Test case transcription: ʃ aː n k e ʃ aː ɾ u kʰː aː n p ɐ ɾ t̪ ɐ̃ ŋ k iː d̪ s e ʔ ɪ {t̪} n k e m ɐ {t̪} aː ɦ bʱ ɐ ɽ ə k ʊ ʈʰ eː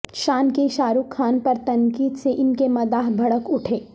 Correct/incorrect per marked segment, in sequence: incorrect, incorrect

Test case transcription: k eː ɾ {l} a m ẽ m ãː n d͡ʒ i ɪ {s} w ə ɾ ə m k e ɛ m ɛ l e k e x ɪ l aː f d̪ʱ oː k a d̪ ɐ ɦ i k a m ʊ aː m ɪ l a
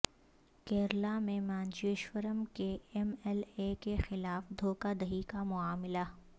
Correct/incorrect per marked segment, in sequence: correct, incorrect

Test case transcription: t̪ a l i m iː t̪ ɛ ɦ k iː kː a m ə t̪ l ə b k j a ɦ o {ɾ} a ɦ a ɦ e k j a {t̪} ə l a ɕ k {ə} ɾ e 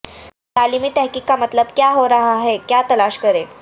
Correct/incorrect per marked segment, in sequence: correct, correct, correct

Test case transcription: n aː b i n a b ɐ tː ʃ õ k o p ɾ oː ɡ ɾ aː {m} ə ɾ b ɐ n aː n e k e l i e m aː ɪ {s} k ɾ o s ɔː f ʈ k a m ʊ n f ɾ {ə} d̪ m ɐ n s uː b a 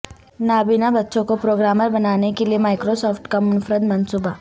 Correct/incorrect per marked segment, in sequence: correct, incorrect, correct

